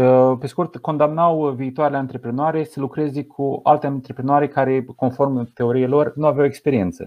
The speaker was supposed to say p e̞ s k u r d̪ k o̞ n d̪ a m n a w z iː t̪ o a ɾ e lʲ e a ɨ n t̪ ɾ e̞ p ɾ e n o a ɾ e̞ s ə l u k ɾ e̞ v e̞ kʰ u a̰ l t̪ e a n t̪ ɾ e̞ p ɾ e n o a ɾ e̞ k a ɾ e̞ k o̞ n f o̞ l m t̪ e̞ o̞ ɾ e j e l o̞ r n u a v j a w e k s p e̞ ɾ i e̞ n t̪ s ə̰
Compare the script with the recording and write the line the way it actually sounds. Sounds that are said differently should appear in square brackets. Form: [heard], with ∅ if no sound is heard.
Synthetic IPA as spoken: p e̞ s k u r [t̪] k o̞ n d̪ a m n a w [v] iː t̪ o a ɾ e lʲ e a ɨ n t̪ ɾ e̞ p ɾ e n o a ɾ e̞ s ə l u k ɾ e̞ [z] e̞ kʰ u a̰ l t̪ e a n t̪ ɾ e̞ p ɾ e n o a ɾ e̞ k a ɾ e̞ k o̞ n f o̞ [r] m t̪ e̞ o̞ ɾ [i] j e l o̞ r n u a v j a w e k s p e̞ ɾ i e̞ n t̪ s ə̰